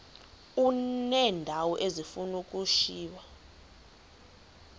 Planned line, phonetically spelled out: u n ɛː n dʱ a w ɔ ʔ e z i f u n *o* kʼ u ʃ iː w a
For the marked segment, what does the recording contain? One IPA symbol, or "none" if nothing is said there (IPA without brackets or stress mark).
u